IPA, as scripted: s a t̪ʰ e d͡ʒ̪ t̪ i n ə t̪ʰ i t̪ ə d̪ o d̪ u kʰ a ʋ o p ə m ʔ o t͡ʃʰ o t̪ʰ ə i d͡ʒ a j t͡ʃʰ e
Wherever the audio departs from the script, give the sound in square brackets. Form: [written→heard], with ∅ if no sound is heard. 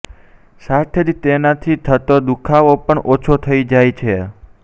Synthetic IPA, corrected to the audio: s a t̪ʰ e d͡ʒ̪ t̪ [i→e] n [ə→a] t̪ʰ i [t̪→t̪ʰ] ə [d̪→t̪] o d̪ u kʰ a ʋ o p ə [m→ɳ] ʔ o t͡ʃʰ o t̪ʰ ə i d͡ʒ a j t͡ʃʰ e